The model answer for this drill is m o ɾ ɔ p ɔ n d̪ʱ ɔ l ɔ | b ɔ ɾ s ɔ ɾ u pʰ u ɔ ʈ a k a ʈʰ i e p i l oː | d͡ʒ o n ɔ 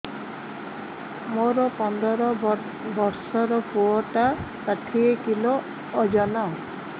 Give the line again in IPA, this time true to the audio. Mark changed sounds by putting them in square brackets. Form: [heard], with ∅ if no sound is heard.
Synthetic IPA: m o ɾ ɔ p ɔ n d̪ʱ ɔ [ɾ] ɔ | b ɔ ɾ s ɔ ɾ [ɔ] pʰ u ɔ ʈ a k a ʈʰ i e [k] i l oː | d͡ʒ [ɔ] n ɔ